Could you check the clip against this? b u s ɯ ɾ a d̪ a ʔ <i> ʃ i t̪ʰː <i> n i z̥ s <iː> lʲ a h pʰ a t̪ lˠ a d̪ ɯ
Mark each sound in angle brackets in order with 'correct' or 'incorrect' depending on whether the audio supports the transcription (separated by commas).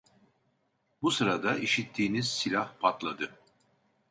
correct, incorrect, incorrect